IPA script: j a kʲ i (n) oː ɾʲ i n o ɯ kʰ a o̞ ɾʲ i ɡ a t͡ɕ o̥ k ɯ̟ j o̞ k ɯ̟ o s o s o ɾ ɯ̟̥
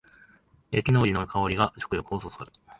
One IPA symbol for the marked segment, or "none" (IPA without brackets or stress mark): n